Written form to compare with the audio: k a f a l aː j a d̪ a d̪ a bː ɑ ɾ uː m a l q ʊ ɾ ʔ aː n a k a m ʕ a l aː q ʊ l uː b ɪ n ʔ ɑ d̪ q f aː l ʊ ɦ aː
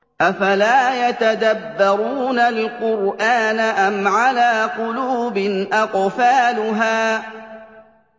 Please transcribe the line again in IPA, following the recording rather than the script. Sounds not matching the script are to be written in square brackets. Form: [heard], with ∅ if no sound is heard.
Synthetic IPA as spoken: [ʔ] a f a l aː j a [t̪] a d̪ a bː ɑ ɾ uː [n] a l q ʊ ɾ ʔ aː n a [ʔ] a m ʕ a l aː q ʊ l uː b ɪ n ʔ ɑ [∅] q f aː l ʊ ɦ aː